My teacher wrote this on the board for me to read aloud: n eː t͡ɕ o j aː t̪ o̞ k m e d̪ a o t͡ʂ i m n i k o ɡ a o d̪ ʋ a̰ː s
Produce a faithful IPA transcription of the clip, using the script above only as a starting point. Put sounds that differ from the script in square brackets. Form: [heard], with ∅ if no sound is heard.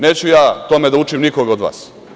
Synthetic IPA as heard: n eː t͡ɕ [u] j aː t̪ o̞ [∅] m e d̪ a [u] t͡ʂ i m n i k o ɡ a o d̪ ʋ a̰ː s